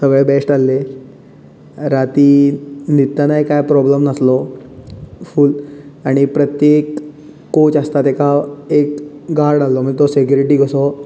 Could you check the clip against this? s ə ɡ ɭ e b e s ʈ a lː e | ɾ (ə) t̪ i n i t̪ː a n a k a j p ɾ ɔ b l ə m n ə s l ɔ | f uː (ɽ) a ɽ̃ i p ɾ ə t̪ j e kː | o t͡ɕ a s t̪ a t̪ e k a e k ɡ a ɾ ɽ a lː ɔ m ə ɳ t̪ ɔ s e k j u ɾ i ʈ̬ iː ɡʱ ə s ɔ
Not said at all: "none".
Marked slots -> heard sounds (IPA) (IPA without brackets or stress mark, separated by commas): a, l